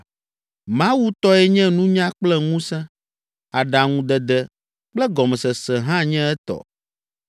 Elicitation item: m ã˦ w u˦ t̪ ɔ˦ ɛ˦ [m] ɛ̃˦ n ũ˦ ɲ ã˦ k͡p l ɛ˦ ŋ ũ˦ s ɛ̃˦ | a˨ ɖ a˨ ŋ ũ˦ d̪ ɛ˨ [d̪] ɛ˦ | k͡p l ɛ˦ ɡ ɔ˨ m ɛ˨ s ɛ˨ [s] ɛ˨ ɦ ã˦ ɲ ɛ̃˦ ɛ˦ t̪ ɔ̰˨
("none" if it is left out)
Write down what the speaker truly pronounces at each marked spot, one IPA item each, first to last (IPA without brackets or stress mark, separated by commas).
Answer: ɲ, d̪, s